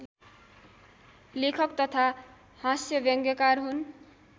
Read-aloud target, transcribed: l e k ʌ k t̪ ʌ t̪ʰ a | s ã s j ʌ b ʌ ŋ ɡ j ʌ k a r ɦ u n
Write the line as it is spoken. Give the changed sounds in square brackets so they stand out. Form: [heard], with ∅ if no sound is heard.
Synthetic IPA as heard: l e [kʰ] ʌ k t̪ ʌ t̪ʰ a | [h] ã s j ʌ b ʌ ŋ ɡ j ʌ k a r ɦ u n

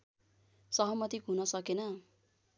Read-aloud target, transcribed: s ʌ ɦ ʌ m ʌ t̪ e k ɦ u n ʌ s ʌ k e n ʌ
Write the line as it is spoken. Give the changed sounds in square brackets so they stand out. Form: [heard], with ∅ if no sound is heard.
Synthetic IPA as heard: s ʌ ɦ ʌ m ʌ t̪ [i] k ɦ u n ʌ s ʌ k e n ʌ

